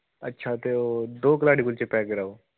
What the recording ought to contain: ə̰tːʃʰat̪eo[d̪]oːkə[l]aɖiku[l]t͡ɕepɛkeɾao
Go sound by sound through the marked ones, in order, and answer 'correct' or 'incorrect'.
correct, correct, correct

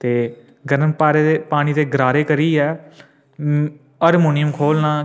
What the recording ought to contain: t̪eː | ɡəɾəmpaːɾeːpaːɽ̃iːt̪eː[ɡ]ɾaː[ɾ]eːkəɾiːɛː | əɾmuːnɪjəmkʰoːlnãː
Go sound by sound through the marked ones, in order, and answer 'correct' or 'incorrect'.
correct, correct

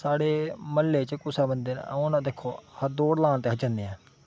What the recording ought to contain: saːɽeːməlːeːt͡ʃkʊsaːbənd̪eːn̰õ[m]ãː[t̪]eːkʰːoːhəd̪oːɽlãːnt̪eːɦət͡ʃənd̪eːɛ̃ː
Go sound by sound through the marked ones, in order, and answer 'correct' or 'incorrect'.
incorrect, incorrect

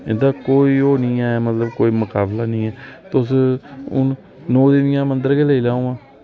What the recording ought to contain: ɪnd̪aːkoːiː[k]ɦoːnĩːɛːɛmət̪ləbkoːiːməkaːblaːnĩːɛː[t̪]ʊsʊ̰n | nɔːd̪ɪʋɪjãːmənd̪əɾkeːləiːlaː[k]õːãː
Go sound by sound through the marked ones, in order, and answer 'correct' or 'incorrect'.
incorrect, correct, incorrect

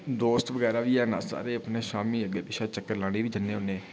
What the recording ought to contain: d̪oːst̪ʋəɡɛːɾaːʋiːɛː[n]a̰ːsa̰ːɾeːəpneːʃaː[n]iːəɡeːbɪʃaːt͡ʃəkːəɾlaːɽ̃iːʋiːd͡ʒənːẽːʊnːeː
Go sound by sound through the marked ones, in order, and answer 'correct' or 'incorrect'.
correct, incorrect

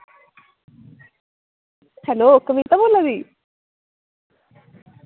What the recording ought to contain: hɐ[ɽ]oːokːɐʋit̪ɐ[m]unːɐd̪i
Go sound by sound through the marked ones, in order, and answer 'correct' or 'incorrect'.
incorrect, correct

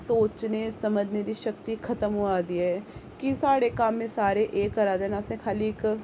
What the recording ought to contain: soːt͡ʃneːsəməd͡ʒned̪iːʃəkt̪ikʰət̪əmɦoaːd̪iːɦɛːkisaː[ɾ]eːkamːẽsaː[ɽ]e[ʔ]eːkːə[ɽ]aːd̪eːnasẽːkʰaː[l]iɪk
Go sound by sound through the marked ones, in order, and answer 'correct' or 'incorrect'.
incorrect, incorrect, correct, incorrect, correct

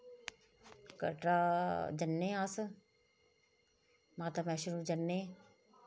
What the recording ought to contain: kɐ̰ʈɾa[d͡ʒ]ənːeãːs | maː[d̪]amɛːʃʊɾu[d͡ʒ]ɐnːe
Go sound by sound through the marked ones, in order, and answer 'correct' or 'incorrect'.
correct, incorrect, correct

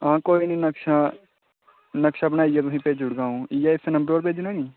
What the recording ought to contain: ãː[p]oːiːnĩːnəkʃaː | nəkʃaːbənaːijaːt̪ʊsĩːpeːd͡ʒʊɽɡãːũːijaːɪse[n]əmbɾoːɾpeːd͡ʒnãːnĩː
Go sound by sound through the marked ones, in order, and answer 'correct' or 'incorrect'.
incorrect, correct

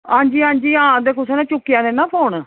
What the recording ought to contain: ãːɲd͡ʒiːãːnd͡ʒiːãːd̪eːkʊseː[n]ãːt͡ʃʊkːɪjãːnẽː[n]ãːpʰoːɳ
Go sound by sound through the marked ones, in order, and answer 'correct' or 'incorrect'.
correct, correct

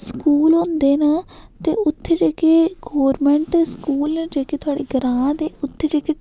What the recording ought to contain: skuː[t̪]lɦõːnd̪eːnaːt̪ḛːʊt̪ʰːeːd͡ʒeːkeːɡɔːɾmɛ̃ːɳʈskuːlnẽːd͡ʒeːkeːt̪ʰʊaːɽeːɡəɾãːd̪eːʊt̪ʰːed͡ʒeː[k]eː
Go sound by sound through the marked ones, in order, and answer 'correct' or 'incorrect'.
incorrect, correct

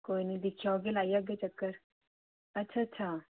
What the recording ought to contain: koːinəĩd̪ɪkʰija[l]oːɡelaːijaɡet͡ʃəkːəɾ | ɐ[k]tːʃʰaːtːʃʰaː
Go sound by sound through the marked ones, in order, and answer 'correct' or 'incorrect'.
incorrect, incorrect

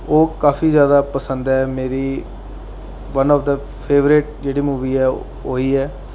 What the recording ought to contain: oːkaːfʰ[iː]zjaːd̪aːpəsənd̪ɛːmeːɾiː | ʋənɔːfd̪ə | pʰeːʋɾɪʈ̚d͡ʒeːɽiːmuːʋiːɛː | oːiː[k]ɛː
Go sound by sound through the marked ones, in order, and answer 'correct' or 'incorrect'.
correct, incorrect

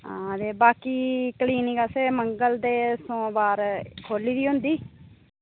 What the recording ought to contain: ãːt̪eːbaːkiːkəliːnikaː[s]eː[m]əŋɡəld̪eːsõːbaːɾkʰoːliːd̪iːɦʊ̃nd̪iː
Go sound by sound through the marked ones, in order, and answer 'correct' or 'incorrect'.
correct, correct

